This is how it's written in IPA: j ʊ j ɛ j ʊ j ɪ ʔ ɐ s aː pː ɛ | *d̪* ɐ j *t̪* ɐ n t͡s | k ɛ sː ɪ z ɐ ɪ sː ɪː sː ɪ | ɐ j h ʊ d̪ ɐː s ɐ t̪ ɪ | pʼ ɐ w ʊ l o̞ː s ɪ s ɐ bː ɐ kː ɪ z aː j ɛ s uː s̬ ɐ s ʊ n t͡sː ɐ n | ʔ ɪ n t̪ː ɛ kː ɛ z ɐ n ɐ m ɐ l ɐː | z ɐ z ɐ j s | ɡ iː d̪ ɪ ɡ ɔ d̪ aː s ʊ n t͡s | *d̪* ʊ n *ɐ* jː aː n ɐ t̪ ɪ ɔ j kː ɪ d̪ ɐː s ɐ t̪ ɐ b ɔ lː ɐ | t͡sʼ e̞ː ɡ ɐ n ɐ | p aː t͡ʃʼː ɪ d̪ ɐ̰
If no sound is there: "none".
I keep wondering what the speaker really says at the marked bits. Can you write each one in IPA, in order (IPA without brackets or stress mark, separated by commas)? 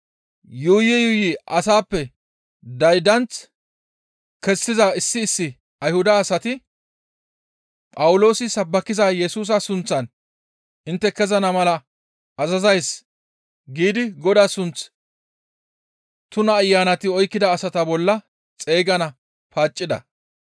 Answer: d̪, d̪, t̪, ɐː